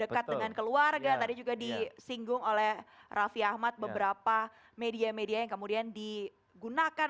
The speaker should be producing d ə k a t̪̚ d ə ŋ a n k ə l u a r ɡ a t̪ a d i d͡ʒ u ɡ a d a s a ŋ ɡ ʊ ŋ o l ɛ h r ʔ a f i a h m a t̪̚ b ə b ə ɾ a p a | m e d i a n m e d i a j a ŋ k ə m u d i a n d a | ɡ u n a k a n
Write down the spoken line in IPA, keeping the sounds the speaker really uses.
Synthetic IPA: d ə k a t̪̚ d ə ŋ a n k ə l u a r ɡ a t̪ a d i d͡ʒ u ɡ a d i s i ŋ ɡ ʊ ŋ o l ɛ h r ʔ a f i a h m a t̪̚ b ə b ə ɾ a p a | m e d i a m e d i a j a ŋ k ə m u d i a n d i | ɡ u n a k a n